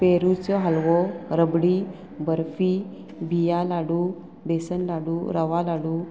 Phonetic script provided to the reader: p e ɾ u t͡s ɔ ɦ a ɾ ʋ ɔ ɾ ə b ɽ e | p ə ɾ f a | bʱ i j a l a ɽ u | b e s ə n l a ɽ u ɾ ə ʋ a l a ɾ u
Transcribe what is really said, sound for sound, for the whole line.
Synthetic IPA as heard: p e ɾ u t͡s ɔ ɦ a l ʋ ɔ ɾ ə b ɽ i | b ə ɾ f i | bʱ i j a l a ɽ u | b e s ə n l a ɽ u ɾ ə ʋ a l a ɽ u